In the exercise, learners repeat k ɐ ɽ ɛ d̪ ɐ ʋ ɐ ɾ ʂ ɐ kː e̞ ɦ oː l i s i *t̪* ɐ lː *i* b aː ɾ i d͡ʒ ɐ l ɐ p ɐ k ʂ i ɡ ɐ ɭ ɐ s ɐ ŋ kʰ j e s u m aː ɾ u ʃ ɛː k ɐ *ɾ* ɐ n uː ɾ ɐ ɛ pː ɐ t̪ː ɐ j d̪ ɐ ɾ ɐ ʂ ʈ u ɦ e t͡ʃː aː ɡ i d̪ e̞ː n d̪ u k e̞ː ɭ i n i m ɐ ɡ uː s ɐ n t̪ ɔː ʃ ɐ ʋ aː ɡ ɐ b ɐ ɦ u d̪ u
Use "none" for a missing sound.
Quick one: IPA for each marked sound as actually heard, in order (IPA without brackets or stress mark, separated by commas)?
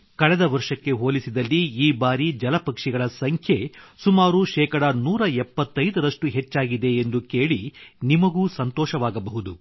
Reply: d̪, iː, ɽ